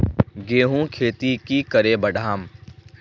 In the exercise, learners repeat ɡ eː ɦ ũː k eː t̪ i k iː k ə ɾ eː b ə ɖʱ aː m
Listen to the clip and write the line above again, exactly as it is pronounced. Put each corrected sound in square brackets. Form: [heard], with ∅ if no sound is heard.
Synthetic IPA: ɡ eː ɦ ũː [kʰ] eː t̪ i k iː k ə ɾ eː b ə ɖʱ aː m